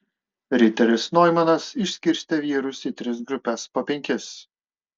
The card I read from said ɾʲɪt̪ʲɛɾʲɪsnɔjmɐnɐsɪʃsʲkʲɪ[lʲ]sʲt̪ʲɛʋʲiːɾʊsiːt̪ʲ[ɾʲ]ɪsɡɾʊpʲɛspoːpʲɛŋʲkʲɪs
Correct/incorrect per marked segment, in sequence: incorrect, correct

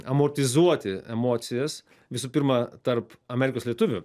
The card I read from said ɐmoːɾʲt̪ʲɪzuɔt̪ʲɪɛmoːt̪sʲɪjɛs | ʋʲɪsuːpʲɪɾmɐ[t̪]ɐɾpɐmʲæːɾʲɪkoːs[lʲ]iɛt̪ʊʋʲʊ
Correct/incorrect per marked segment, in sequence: correct, correct

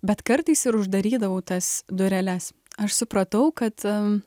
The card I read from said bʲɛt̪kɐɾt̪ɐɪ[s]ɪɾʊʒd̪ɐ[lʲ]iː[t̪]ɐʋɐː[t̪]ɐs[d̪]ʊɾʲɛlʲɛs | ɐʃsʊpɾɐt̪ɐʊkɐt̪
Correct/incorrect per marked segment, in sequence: correct, incorrect, incorrect, correct, correct

